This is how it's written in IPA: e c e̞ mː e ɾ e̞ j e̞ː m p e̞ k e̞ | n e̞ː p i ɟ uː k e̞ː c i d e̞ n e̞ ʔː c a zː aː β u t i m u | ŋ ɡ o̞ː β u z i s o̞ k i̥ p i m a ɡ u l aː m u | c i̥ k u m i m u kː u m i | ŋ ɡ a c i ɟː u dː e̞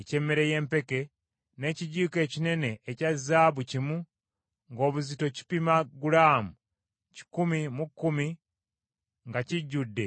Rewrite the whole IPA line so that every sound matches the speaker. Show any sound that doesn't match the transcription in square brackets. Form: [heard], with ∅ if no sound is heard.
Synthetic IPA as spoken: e c e̞ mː e ɾ e̞ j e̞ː m p e̞ k e̞ | n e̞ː [c] i ɟ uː k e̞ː c i [n] e̞ n e̞ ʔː c a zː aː β u [c] i m u | ŋ ɡ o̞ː β u z i [t] o̞ [c] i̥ p i m a ɡ u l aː m u | c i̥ k u m i m u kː u m i | ŋ ɡ a c i ɟː u dː e̞